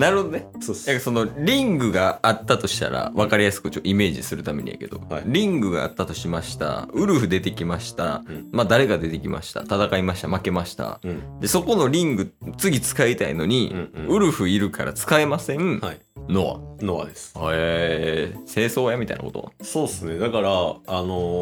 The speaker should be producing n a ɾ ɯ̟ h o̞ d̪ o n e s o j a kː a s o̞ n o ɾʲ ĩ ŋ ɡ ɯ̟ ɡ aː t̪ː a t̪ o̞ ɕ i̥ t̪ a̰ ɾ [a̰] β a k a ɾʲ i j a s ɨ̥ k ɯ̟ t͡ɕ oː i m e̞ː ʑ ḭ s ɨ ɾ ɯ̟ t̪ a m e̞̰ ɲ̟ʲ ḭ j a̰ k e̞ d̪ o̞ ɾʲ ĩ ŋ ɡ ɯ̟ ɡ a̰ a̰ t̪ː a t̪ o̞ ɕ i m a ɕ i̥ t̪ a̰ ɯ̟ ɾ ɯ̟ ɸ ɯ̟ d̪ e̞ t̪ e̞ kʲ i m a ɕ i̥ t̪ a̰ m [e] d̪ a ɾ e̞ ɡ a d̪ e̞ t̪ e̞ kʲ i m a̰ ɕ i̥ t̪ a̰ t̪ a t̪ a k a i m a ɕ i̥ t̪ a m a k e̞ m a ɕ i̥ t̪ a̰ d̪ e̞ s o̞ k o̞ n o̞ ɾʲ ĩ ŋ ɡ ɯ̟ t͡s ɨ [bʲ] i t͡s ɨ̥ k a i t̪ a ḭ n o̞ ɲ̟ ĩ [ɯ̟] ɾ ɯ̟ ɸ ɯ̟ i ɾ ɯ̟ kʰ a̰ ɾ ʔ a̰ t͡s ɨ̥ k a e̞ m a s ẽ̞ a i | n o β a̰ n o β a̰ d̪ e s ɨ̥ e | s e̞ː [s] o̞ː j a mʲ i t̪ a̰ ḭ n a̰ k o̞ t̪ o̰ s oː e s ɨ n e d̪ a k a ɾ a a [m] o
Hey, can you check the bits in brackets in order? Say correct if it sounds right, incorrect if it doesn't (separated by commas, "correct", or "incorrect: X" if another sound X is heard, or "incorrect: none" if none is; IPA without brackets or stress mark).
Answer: correct, incorrect: a, incorrect: ɡʲ, correct, correct, incorrect: n